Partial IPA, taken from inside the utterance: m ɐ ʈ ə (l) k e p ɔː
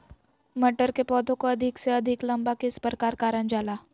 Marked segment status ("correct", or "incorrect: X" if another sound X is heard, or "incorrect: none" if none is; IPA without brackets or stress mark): incorrect: ɾ